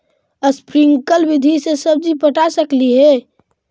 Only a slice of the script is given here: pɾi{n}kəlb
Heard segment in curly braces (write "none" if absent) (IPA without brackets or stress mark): ŋ